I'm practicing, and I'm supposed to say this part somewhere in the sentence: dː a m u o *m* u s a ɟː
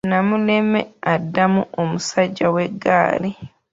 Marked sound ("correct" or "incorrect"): correct